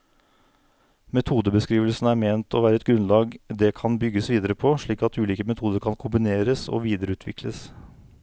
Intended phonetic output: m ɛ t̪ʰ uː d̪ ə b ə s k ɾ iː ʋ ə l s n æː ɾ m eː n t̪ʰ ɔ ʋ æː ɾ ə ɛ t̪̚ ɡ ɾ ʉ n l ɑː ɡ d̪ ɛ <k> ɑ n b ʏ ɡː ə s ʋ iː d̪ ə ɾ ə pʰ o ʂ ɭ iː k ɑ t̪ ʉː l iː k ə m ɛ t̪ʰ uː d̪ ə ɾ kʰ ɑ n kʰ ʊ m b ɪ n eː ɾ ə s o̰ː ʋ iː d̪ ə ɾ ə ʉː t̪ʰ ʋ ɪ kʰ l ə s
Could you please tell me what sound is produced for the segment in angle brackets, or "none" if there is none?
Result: kʰ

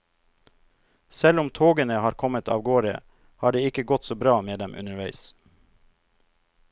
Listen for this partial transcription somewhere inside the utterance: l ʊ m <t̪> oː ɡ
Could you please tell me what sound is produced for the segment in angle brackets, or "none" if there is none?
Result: t̪ʰ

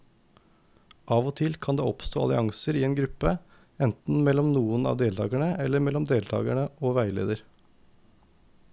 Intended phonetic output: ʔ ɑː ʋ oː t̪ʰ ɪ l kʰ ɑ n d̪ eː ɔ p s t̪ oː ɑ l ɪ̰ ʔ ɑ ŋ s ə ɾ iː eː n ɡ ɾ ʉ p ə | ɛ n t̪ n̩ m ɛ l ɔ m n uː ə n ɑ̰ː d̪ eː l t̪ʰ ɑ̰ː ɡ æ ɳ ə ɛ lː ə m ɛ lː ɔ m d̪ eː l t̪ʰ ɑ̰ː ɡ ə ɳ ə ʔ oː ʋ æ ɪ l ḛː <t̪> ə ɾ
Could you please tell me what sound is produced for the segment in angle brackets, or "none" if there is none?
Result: d̪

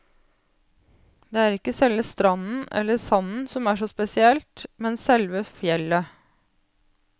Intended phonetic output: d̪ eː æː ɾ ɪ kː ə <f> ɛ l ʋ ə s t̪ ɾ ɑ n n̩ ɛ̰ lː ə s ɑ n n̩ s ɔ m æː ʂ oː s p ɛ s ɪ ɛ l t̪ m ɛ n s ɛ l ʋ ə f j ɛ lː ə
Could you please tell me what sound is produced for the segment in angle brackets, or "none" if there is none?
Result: s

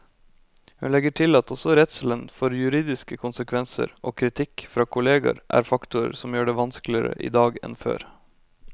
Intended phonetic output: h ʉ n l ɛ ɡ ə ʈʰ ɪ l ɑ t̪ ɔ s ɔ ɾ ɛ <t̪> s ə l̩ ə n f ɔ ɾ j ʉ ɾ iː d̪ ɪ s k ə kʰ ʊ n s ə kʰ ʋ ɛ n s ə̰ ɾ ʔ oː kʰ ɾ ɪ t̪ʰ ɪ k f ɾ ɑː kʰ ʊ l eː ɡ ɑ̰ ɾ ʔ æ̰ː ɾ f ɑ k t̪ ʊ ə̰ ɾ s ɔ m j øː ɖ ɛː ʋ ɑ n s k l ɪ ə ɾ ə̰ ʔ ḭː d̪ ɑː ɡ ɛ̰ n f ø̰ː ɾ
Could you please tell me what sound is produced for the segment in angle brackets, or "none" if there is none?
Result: t̪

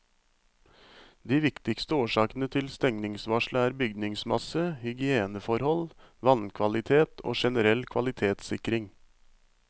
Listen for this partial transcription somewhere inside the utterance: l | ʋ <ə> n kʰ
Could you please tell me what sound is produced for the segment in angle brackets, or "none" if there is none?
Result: ɑ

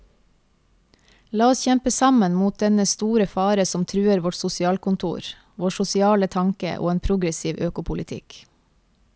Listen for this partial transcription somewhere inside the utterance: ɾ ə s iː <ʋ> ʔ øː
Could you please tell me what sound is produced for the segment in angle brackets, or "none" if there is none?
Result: ʋ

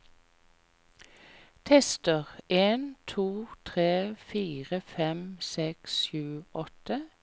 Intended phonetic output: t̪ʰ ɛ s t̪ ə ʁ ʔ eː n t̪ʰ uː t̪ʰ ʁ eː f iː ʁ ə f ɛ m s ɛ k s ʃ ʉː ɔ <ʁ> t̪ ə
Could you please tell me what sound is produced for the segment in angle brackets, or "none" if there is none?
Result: none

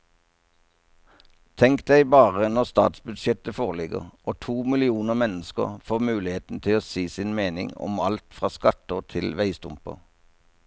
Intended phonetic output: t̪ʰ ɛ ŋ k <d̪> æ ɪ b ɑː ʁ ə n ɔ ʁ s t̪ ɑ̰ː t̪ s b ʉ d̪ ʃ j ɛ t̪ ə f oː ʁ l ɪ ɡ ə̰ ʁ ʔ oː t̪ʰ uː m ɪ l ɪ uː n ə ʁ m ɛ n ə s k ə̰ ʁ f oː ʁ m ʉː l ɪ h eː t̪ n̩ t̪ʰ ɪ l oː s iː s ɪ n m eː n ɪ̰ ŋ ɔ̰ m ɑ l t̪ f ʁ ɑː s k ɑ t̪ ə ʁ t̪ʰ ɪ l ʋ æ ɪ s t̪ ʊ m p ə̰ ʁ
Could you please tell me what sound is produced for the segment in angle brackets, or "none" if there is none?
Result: d̪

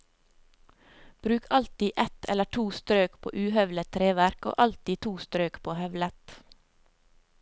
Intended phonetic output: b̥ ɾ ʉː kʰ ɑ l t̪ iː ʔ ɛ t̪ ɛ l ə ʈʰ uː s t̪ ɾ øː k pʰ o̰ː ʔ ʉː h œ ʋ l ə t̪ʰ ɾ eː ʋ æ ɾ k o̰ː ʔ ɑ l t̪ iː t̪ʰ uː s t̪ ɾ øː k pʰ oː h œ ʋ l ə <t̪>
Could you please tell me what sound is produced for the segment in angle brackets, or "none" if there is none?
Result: t̪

